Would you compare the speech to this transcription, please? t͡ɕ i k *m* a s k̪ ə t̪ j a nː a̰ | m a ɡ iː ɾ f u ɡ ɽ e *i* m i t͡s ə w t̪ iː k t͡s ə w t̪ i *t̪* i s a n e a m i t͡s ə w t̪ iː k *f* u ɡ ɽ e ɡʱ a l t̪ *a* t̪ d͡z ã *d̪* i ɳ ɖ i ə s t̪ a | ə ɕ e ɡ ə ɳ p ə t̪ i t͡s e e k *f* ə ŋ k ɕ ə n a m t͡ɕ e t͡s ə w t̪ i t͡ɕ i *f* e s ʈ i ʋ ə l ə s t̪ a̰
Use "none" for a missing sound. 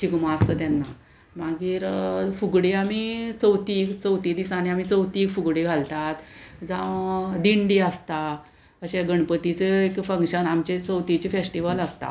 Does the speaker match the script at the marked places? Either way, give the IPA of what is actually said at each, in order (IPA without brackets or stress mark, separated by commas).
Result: m, a, d̪, f, a, d̪, f, f